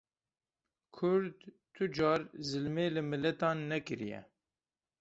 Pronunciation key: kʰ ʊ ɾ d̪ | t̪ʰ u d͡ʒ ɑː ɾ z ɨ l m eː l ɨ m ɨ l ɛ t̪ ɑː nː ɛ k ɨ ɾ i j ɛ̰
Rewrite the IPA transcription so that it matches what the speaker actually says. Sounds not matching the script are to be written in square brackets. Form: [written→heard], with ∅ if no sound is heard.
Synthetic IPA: kʰ ʊ ɾ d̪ | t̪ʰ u d͡ʒ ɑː ɾ z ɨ l m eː l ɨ m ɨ l ɛ t̪ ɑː nː ɛ k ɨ ɾ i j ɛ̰